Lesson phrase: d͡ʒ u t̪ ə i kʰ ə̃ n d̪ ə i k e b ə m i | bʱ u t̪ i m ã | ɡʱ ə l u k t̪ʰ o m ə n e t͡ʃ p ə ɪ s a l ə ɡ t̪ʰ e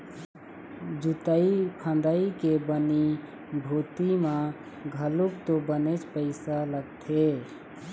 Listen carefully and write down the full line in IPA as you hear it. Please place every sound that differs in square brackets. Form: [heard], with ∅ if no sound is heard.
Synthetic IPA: d͡ʒ u t̪ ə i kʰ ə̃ n d̪ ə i k e b ə [n] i | bʱ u t̪ i m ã | ɡʱ ə l u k [t̪] o [b] ə n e t͡ʃ p ə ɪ s a l ə ɡ t̪ʰ e